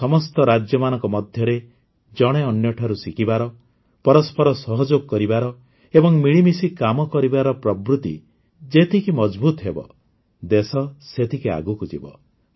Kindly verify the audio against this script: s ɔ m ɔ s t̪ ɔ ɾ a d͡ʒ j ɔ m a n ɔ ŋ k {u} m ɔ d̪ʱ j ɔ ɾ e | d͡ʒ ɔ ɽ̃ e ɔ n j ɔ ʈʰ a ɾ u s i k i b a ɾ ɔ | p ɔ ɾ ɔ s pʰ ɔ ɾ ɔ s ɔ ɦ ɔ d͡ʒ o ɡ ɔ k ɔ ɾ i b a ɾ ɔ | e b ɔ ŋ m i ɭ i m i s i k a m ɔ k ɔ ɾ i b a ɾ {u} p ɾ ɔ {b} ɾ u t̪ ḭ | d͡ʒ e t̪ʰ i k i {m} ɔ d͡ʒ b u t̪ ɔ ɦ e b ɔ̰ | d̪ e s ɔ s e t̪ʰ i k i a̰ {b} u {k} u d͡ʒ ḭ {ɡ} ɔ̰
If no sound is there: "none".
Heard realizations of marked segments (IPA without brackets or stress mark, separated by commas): ɔ, ɔ, b, m, ɡ, k, b